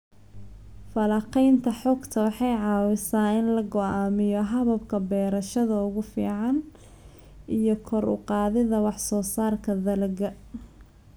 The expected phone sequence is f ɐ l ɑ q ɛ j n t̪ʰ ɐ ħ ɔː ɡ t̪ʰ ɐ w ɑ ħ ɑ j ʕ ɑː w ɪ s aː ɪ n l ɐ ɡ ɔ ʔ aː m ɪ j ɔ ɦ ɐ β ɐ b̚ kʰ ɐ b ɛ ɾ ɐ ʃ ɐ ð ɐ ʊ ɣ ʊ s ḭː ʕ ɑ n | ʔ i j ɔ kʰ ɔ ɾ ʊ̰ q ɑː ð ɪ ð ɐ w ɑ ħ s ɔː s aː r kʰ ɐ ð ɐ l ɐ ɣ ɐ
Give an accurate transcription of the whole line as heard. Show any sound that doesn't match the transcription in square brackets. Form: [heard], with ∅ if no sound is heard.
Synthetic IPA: f ɐ l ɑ q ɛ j n t̪ʰ ɐ ħ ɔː ɡ t̪ʰ ɐ w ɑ ħ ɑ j ʕ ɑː w ɪ s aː ɪ n l ɐ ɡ ɔ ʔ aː m ɪ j ɔ ɦ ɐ β ɐ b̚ kʰ ɐ b [ɛː] ɾ ɐ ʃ ɐ ð ɐ ʊ ɣ ʊ [f] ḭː ʕ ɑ n | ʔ i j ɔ kʰ ɔ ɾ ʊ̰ q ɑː ð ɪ ð ɐ w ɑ ħ s ɔː s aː r kʰ ɐ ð ɐ l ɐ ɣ ɐ